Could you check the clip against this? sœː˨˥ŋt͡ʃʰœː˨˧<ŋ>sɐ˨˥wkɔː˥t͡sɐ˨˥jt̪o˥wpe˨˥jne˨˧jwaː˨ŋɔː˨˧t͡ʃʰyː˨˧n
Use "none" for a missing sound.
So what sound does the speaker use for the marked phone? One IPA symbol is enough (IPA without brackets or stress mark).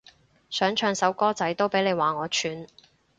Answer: ŋ